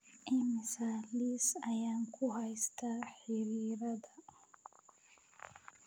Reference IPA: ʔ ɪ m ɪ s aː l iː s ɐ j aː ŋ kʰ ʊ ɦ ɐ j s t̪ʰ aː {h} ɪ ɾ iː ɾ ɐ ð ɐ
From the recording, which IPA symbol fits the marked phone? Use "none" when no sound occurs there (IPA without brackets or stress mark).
ħ